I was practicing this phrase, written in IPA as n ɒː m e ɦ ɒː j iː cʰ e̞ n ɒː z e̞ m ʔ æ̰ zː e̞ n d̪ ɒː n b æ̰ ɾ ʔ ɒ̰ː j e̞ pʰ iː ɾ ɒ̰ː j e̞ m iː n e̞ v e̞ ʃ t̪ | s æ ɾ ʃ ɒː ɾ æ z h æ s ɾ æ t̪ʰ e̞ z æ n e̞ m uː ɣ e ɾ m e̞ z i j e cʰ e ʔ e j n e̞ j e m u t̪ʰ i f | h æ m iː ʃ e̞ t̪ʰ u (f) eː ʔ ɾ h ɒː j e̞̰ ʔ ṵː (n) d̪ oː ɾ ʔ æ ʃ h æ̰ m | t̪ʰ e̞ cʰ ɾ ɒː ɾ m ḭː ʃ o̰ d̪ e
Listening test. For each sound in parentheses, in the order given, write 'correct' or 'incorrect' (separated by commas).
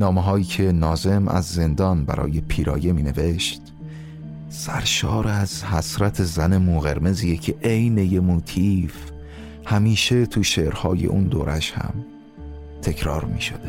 incorrect, correct